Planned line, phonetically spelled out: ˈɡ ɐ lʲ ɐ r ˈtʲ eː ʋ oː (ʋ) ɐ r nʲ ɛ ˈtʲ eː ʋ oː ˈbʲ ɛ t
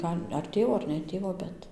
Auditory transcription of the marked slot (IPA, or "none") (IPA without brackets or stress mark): none